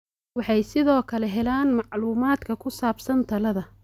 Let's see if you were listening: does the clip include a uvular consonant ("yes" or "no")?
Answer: no